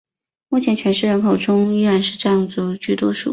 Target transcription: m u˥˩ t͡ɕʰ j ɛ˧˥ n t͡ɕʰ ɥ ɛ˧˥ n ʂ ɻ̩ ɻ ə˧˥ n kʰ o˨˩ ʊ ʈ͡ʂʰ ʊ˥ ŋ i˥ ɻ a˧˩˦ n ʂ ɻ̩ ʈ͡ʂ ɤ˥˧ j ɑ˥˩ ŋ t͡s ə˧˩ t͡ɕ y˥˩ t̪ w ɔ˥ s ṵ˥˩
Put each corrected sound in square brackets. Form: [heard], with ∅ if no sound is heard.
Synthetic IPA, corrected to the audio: m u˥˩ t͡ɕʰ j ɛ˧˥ n t͡ɕʰ ɥ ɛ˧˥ n ʂ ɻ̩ ɻ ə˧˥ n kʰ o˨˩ ʊ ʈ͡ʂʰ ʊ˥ ŋ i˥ ɻ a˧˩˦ n ʂ ɻ̩ ʈ͡ʂ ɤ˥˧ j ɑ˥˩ ŋ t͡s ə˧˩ t͡ɕ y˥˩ t̪ w ɔ˥ [ʂ] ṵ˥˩